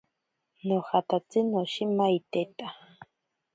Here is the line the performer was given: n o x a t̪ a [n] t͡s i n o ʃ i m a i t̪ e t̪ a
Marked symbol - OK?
no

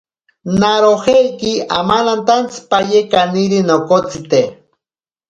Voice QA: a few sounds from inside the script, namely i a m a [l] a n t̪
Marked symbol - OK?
yes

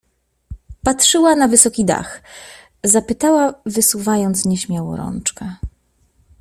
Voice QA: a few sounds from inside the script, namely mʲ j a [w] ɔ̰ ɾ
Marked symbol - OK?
yes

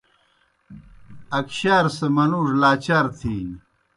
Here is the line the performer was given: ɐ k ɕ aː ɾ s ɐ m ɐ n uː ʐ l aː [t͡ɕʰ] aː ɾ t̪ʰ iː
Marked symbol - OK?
no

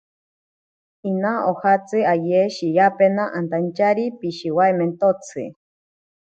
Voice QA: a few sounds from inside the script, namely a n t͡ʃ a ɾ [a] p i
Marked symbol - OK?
no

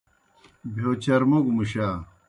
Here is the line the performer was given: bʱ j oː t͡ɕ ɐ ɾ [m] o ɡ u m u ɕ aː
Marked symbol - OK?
yes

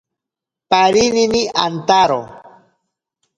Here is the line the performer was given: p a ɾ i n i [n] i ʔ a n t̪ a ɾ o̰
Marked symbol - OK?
yes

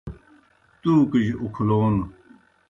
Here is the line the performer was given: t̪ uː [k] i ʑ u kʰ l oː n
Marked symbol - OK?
yes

